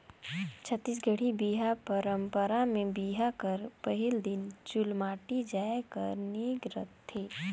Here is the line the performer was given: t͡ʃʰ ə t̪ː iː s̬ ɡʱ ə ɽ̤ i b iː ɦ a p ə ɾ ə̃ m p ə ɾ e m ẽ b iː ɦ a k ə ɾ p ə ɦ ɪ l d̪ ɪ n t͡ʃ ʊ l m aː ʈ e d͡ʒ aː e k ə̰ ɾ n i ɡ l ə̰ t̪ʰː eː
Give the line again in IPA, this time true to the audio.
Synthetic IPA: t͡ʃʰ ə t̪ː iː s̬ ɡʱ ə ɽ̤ i b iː ɦ a p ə ɾ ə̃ m p ə ɾ a m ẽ b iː ɦ a k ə ɾ p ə ɦ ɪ l d̪ ɪ n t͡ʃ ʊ l m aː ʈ i d͡ʒ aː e k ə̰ ɾ n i ɡ ɾ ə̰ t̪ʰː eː